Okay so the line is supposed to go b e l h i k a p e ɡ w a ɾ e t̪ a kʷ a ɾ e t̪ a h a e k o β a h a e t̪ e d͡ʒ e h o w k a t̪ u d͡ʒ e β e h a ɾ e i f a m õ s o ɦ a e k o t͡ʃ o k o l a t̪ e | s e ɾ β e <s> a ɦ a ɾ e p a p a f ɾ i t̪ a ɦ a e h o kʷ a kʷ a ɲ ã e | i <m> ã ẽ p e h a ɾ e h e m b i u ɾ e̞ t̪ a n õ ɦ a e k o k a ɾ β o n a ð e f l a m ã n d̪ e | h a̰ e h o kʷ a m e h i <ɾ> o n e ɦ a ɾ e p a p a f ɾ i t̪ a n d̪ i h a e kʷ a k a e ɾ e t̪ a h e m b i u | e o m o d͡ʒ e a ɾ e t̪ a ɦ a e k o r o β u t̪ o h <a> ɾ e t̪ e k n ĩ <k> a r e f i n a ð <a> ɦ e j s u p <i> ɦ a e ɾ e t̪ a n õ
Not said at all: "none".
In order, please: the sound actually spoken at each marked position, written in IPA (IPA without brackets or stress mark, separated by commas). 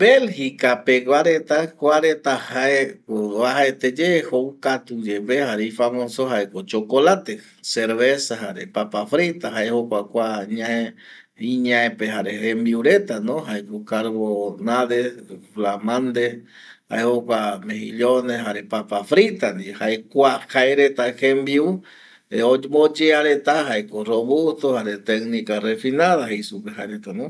s, ɲ, ʎ, a, k, a, e